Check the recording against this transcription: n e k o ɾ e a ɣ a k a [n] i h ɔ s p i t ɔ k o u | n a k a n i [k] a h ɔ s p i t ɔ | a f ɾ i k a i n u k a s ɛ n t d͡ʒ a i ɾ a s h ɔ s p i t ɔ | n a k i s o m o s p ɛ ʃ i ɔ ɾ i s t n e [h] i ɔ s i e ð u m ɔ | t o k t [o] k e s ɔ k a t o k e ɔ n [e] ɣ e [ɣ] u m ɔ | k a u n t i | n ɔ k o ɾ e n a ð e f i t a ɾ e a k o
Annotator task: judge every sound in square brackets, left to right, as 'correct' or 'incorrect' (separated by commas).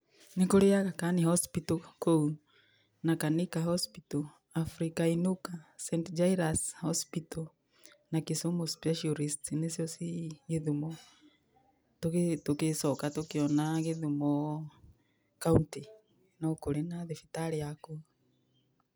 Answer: correct, correct, incorrect, correct, incorrect, incorrect